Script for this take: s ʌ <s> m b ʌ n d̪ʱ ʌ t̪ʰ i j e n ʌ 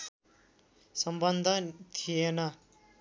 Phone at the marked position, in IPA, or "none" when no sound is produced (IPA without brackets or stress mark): none